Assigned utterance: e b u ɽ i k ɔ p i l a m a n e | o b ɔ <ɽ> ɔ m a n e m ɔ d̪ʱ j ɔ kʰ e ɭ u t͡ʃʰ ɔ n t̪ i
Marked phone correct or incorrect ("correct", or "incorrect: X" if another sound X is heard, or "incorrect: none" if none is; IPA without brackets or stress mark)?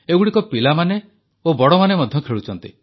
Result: correct